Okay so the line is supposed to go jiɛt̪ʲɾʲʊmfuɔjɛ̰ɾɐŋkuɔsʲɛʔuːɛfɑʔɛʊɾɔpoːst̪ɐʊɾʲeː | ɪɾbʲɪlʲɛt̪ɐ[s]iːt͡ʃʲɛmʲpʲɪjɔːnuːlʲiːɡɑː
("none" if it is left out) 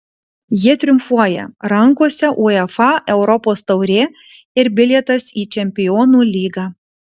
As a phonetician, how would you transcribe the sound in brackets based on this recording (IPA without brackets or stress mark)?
s